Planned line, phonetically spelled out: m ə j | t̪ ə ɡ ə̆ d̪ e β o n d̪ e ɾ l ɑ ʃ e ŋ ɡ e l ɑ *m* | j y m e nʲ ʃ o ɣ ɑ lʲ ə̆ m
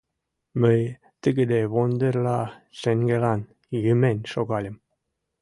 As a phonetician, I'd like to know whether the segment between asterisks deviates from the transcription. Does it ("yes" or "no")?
yes